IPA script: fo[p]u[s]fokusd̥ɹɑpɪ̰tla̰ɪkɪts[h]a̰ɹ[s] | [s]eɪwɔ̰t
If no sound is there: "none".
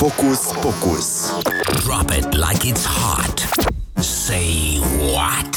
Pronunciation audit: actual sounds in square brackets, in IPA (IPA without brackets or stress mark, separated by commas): k, s, h, t, s